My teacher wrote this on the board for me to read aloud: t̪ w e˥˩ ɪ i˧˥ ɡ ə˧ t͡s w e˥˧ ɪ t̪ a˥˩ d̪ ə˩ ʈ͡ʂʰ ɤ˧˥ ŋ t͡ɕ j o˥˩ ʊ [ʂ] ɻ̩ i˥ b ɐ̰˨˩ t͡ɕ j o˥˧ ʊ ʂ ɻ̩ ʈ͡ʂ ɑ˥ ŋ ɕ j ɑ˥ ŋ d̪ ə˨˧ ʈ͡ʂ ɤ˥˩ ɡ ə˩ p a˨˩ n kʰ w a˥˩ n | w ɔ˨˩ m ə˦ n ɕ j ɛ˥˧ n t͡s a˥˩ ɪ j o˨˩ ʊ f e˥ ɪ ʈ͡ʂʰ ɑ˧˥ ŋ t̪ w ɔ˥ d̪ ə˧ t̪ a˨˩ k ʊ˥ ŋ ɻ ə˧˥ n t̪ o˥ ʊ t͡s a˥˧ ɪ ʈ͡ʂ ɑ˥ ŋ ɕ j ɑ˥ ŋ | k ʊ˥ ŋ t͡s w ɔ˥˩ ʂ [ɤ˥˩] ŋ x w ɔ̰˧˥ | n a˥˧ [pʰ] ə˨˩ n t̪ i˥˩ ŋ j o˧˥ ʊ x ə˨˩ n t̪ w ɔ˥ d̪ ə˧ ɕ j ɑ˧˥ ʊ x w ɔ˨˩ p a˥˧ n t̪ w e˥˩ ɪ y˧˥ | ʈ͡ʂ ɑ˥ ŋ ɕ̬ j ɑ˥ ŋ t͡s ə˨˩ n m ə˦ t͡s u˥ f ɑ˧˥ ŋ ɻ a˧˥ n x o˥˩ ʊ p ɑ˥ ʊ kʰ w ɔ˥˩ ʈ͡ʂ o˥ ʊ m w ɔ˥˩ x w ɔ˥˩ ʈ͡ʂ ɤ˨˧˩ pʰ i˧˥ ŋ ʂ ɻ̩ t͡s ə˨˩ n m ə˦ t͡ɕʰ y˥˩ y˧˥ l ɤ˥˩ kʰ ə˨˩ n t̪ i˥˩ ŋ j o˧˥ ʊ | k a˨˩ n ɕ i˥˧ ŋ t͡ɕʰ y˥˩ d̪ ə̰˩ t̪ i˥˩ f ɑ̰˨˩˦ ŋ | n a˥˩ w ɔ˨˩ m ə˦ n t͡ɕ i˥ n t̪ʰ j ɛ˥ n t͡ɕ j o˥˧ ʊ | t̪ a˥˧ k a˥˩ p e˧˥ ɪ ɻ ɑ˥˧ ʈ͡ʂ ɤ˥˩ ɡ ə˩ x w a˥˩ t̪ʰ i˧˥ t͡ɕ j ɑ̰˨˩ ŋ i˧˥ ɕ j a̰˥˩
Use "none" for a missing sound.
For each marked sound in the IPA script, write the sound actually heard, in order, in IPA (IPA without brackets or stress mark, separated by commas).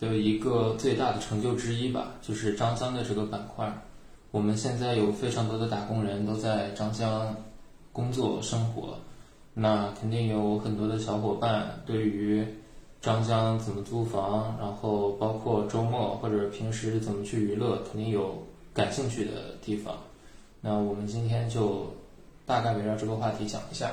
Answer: ʈ͡ʂ, ɤ˥, kʰ